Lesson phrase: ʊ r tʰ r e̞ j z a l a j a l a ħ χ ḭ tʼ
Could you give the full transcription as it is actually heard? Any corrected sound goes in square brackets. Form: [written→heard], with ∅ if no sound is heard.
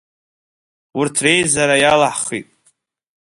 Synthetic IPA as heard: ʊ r tʰ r e̞ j z a [l→ɾ] a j a l a ħ χ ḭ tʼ